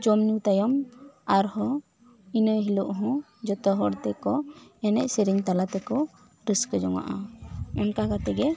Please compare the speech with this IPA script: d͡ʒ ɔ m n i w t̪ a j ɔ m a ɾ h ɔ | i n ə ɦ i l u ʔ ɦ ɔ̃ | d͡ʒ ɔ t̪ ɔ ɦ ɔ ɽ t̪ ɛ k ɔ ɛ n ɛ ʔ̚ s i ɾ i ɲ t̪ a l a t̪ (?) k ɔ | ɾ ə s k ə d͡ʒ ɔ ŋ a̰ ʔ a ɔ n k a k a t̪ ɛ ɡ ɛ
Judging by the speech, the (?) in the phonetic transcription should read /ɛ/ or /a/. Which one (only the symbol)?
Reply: ɛ